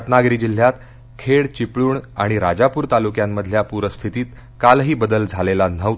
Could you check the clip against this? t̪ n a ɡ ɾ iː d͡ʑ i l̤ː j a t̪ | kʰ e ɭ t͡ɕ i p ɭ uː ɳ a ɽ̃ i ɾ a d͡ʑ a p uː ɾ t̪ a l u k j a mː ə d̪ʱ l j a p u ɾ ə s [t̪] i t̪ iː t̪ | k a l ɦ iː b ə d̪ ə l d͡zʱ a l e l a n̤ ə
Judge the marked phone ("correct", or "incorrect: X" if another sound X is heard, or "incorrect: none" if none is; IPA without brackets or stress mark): incorrect: t̪ʰ